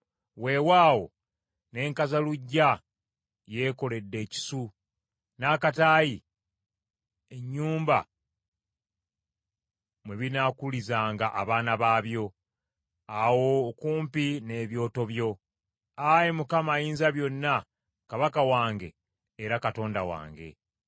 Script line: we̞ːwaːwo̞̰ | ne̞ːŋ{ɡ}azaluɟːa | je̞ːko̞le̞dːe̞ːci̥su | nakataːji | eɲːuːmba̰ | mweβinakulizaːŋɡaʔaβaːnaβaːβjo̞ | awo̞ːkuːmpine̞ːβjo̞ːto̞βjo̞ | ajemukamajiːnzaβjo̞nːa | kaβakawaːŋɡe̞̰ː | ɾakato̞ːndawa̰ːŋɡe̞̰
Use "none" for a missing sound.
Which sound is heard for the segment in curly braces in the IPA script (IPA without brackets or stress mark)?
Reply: k